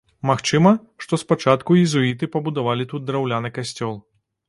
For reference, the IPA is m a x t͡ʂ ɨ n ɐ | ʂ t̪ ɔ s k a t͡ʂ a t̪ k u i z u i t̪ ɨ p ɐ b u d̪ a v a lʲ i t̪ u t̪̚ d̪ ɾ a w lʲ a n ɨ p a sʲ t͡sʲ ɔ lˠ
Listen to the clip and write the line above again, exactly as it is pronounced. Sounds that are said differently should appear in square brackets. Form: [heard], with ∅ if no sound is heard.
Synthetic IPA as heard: m a x t͡ʂ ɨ [m] ɐ | ʂ t̪ ɔ s [p] a t͡ʂ a t̪ k u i z u i t̪ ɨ p ɐ b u d̪ a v a lʲ i t̪ u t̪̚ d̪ ɾ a w lʲ a n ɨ [k] a sʲ t͡sʲ ɔ lˠ